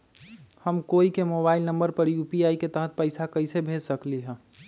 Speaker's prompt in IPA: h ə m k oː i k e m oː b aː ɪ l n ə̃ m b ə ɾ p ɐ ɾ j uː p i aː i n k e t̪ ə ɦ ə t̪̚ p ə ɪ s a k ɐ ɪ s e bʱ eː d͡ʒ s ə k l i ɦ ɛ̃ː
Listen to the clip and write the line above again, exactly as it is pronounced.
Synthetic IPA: h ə m k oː i k e m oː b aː ɪ l n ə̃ m b ə ɾ p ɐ ɾ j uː p i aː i k e t̪ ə ɦ ə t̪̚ p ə ɪ s a k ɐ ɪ s e bʱ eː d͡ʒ s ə k l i ɦ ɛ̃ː